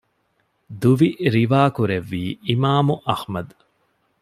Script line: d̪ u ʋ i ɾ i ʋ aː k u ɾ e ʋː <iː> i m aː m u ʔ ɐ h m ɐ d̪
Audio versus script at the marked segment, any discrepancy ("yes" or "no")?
no